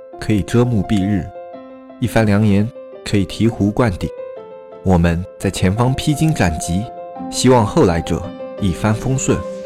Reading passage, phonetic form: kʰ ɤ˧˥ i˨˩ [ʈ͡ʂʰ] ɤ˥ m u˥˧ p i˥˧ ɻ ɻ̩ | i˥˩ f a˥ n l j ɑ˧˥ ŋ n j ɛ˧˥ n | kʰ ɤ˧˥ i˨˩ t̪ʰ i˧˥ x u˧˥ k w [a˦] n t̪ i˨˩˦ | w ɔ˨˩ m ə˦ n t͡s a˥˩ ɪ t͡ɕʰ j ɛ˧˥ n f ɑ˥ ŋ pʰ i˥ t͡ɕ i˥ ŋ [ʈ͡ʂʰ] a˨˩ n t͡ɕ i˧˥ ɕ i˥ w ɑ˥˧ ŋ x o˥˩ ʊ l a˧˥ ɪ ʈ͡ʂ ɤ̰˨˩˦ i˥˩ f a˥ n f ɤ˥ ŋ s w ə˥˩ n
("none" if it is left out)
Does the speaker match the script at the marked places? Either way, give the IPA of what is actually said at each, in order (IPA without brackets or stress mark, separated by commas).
ʈ͡ʂ, a˥˩, ʈ͡ʂ